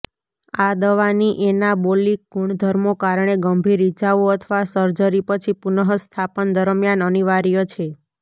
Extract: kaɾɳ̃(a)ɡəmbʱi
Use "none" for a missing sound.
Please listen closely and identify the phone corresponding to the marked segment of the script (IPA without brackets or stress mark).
e